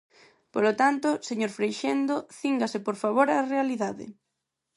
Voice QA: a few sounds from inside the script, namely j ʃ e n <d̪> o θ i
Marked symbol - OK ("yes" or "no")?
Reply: yes